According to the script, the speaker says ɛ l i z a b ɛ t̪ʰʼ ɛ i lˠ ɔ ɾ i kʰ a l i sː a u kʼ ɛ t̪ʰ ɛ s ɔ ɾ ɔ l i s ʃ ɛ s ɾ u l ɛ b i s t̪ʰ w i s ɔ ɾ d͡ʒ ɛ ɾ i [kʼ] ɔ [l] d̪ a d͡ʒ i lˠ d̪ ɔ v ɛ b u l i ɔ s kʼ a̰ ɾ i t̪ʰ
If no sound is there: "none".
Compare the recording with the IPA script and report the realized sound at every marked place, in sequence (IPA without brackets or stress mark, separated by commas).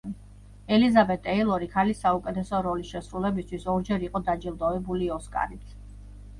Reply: qʼ, none